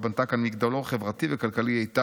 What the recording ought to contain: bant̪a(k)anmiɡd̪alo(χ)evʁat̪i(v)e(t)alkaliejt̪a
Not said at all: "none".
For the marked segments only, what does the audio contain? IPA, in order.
k, χ, v, k

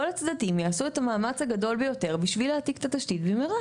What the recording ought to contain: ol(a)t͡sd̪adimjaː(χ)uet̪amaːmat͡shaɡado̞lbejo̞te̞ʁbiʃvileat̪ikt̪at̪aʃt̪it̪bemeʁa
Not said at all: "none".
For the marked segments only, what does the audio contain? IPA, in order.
a, s

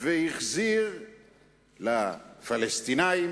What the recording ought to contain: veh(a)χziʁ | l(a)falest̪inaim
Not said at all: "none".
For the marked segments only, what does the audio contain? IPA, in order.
i, a

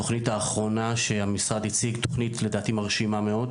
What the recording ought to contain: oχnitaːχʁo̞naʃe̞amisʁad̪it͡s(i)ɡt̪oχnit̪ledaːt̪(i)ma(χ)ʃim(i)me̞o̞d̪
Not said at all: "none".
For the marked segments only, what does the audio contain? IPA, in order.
i, i, ʁ, a

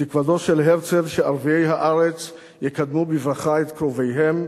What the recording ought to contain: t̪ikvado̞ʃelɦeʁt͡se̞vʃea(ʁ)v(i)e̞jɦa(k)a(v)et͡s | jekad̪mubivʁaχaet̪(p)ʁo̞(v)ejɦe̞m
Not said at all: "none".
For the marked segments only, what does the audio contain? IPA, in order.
ʁ, i, ʔ, ʁ, k, v

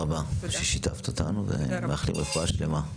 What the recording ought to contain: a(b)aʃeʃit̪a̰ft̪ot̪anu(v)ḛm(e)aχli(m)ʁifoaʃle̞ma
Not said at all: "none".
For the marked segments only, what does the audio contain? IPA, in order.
b, v, e, m

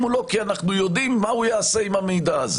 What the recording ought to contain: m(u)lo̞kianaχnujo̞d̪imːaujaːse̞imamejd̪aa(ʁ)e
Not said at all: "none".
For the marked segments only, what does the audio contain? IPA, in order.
u, z

